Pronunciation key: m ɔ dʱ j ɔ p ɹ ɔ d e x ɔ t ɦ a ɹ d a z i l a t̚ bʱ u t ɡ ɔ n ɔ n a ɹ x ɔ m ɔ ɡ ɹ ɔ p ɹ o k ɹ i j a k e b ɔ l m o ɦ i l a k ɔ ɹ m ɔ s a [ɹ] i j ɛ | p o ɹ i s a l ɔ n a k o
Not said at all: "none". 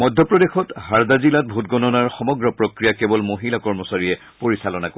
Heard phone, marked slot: ɹ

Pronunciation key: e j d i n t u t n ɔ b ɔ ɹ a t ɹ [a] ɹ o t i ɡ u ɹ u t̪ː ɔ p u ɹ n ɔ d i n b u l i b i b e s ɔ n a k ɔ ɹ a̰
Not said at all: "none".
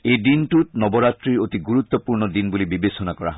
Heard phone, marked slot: i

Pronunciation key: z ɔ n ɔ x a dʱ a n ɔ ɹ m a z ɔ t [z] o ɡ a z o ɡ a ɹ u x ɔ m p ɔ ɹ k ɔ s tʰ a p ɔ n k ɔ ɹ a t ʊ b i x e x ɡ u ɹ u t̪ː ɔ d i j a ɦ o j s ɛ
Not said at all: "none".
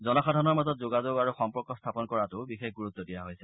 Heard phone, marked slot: z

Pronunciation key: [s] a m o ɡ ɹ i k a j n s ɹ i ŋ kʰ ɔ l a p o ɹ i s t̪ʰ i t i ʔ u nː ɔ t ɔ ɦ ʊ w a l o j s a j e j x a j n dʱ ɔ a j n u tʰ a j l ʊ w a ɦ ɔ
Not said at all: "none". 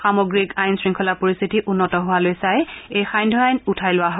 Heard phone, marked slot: x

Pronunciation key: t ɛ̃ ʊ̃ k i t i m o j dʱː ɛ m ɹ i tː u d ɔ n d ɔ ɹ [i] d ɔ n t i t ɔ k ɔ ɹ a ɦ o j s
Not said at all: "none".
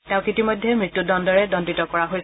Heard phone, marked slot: ɛ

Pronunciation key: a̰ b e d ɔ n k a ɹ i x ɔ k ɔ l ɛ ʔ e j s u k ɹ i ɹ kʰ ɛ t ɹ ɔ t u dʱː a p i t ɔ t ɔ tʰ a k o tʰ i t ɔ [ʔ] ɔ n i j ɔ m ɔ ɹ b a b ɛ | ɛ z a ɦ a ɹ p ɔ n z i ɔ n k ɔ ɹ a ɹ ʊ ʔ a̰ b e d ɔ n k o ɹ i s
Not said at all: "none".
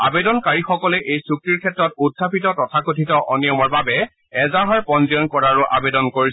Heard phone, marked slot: ʔ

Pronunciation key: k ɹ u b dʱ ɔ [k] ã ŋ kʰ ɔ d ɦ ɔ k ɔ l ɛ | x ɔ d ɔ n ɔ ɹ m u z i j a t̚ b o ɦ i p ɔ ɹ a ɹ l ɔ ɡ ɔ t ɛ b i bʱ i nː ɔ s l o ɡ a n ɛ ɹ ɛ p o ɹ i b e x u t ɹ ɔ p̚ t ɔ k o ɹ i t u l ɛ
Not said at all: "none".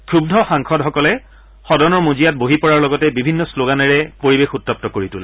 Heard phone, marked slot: x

